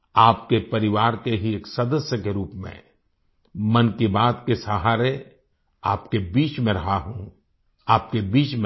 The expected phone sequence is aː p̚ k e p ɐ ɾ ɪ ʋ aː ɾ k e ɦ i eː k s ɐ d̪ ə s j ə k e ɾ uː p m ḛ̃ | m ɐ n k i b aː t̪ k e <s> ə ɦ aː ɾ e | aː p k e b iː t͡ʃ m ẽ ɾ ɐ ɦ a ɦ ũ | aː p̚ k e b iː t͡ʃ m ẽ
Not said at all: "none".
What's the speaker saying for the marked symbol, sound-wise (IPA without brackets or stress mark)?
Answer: s